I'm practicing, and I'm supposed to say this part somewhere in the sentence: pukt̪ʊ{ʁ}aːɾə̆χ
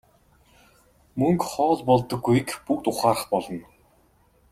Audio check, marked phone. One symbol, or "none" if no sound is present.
χ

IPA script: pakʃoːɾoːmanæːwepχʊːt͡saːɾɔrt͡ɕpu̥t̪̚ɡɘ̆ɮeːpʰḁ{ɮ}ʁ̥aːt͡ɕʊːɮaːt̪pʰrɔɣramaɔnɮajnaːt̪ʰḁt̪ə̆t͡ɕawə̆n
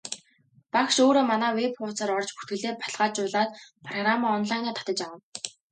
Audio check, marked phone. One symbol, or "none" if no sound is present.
ɮ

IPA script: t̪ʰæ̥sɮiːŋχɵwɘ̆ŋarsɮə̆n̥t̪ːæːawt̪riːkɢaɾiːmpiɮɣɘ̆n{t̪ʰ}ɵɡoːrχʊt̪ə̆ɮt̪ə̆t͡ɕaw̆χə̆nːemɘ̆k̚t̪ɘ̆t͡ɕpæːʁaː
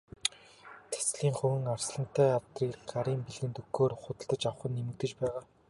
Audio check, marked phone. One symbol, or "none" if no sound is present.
t̪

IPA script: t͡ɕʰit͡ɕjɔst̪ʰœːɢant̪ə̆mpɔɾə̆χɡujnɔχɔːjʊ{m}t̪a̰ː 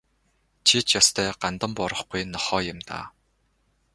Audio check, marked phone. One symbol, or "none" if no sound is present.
m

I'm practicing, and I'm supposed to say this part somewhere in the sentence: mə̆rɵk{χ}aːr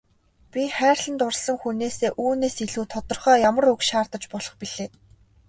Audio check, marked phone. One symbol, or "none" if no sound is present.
ʃ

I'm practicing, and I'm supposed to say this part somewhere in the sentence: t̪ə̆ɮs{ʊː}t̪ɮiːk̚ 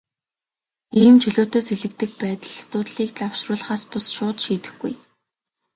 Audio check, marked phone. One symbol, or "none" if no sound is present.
ʊː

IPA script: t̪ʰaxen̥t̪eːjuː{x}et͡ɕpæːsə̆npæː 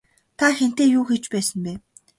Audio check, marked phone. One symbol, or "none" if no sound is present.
x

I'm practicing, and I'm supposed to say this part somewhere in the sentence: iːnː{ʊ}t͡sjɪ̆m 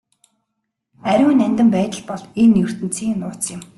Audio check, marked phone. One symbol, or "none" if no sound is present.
ʊː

